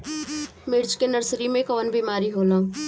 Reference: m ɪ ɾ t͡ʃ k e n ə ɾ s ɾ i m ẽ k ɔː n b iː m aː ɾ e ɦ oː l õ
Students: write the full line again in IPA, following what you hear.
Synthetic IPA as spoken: m ɪ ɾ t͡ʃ k e n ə ɾ s ɾ i m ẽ k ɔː n b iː m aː ɾ i ɦ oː l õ